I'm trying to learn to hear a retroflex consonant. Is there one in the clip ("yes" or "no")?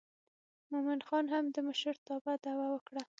yes